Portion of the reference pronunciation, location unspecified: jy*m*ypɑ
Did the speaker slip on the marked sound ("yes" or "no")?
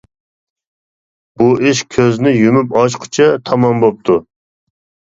no